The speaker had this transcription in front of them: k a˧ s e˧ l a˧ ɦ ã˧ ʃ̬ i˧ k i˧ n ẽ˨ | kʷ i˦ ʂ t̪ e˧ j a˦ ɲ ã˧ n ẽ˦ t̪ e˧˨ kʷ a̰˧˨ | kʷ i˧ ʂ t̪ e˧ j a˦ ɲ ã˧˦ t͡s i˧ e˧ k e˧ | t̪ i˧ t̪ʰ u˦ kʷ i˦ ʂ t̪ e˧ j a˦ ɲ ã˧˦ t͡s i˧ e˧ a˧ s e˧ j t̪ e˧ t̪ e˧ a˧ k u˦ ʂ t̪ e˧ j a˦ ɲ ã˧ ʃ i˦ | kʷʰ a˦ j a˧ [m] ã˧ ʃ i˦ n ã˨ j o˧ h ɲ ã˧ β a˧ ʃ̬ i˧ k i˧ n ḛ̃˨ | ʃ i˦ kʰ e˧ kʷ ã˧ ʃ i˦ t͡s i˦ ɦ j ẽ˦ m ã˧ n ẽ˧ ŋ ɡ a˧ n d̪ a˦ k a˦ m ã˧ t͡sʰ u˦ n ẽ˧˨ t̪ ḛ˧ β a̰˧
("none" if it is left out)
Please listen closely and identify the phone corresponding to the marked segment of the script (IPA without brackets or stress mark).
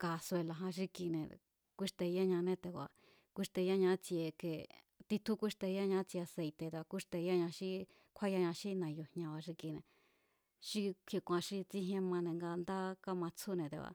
ɲ